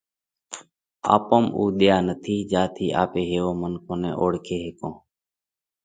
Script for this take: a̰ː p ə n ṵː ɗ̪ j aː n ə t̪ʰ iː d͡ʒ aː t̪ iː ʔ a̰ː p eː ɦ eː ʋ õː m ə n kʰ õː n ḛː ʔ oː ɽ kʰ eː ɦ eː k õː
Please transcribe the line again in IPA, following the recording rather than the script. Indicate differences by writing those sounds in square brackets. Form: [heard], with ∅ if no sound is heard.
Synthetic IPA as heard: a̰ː p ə [m] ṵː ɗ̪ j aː n ə t̪ʰ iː d͡ʒ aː [t̪ʰ] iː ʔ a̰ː p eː ɦ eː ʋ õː m ə n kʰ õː n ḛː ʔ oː ɽ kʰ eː ɦ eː k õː

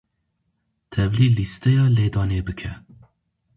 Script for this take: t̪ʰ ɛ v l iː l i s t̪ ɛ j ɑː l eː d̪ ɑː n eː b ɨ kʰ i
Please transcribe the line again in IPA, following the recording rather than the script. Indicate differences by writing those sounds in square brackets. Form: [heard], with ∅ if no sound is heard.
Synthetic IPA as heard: t̪ʰ ɛ v l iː l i s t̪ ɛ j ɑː l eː d̪ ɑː n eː b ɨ kʰ [ɛ]

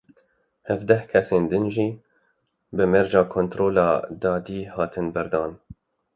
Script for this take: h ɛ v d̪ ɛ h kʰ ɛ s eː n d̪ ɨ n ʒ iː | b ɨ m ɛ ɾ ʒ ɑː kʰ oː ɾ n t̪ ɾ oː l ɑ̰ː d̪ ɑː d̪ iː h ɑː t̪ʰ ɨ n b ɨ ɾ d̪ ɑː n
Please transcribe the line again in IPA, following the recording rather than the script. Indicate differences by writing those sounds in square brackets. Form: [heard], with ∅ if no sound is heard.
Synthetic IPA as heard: h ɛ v d̪ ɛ h kʰ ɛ s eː n d̪ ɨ n ʒ iː | b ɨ m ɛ ɾ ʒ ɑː kʰ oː [∅] n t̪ ɾ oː l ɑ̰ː d̪ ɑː d̪ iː h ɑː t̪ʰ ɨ n b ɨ ɾ d̪ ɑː n

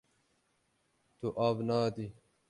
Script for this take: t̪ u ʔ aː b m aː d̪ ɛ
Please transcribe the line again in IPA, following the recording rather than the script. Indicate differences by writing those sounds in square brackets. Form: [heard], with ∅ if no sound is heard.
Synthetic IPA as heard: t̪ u ʔ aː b [n] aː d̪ [i]

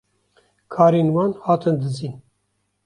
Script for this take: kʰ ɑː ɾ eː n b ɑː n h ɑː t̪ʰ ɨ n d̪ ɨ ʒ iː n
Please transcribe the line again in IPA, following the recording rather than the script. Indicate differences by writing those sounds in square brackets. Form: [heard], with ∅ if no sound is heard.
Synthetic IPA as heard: kʰ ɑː ɾ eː n [w] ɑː n h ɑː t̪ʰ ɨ n d̪ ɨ [z] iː n

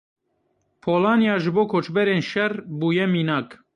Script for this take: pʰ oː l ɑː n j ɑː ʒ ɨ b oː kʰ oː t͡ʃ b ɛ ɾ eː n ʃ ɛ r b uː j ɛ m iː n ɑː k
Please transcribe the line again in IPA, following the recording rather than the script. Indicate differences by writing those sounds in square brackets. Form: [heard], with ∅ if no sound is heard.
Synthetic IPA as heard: pʰ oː l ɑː n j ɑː ʒ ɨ b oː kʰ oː t͡ʃ b ɛ ɾ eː n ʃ ɛ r b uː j ɛ m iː n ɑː k

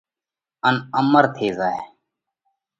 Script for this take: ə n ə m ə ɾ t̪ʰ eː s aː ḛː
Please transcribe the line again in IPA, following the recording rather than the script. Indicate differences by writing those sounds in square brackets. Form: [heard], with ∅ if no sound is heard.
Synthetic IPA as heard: ə n ə m ə ɾ t̪ʰ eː [z] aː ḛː

